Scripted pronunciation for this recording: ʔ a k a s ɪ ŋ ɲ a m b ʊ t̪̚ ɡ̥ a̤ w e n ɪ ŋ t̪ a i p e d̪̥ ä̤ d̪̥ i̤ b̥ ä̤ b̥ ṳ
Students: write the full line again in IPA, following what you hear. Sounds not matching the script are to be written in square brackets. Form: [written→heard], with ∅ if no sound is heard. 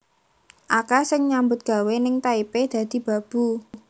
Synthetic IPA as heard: ʔ a k a s ɪ ŋ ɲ a m b ʊ t̪̚ ɡ̥ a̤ w e n ɪ ŋ t̪ a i p e d̪̥ ä̤ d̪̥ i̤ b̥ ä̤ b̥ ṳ